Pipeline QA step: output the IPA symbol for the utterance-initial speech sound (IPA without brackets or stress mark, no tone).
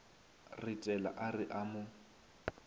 r